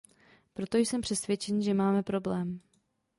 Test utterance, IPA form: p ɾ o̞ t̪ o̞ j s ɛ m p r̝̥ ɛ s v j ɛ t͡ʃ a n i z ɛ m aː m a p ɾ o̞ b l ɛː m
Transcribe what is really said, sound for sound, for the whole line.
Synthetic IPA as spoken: p ɾ o̞ t̪ o̞ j s ɛ m p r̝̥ ɛ s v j ɛ t͡ʃ ɛ n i ʒ ɛ m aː m ɛ p ɾ o̞ b l ɛː m